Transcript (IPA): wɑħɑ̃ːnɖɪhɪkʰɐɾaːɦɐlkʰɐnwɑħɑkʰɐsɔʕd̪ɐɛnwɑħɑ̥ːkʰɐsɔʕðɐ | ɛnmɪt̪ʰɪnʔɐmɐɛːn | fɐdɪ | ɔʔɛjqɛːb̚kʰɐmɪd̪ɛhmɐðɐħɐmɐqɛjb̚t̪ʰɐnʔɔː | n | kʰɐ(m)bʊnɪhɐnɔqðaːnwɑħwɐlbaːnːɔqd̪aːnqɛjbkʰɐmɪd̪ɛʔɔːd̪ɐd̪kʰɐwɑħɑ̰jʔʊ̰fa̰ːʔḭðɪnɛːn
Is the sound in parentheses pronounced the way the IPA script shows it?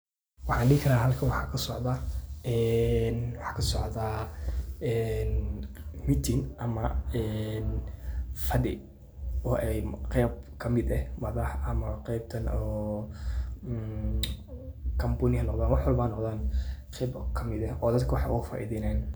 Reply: yes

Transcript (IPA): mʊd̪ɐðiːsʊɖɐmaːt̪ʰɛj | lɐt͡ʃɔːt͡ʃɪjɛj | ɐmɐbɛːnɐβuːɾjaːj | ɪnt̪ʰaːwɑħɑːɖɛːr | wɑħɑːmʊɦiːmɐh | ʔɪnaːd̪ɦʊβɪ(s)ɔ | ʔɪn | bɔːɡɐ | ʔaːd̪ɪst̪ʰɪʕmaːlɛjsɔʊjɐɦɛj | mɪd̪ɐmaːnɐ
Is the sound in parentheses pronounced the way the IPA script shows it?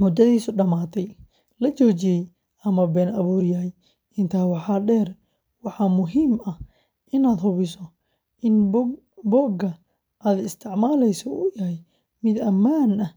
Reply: yes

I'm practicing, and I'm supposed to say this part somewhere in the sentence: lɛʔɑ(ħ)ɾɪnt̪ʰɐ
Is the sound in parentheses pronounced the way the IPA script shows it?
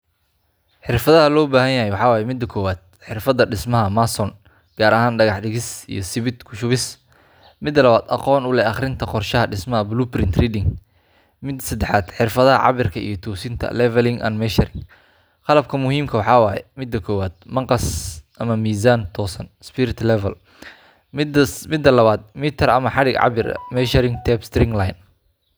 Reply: no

